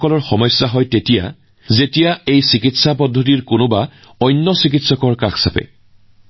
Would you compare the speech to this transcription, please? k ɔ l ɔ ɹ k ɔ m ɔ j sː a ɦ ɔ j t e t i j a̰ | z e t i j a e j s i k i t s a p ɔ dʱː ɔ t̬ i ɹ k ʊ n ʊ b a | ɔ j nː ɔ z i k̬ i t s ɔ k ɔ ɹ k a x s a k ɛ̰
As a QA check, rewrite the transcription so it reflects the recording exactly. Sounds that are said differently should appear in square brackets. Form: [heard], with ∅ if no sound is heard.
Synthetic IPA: k ɔ l ɔ ɹ [x] ɔ m ɔ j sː a ɦ ɔ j t e t i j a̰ | z e t i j a e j s i k i t s a p ɔ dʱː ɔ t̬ i ɹ k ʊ n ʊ b a | ɔ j nː ɔ [s] i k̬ i t s ɔ k ɔ ɹ k a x s a [p] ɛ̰